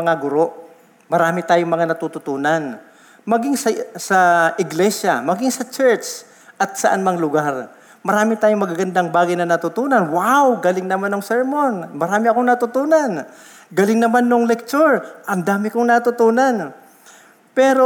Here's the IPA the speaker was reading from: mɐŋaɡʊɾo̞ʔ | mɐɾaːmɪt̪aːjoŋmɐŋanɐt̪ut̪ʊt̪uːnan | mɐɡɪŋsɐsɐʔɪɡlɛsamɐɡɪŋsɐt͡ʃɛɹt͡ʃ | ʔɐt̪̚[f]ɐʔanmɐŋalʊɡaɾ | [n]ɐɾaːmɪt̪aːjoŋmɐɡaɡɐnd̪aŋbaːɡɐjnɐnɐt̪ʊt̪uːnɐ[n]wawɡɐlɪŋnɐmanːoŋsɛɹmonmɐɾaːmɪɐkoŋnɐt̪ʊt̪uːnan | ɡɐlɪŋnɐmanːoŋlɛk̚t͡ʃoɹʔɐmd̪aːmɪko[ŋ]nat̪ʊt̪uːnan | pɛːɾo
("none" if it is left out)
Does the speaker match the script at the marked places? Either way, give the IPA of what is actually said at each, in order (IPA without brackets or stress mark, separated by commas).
s, m, n, ŋ